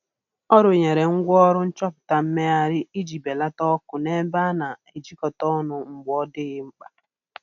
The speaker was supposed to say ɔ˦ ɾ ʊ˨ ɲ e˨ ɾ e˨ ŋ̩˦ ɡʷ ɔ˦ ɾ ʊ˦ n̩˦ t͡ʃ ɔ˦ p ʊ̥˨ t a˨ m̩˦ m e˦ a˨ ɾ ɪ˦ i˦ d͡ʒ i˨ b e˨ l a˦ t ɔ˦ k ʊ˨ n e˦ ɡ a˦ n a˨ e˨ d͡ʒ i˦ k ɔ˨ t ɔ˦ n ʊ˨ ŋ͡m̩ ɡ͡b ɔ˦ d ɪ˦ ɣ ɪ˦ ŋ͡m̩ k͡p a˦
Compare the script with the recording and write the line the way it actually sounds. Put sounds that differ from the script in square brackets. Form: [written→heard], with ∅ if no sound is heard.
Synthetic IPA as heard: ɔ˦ ɾ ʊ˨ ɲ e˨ ɾ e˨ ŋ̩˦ ɡʷ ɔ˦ ɾ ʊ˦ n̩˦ t͡ʃ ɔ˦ p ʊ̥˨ t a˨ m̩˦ m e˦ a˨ ɾ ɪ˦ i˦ d͡ʒ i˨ b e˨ l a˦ t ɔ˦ k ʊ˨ n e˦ [ɡ→b] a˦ n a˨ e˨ d͡ʒ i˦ k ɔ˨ t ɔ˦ n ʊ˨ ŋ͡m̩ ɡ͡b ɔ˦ d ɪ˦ ɣ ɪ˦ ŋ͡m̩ k͡p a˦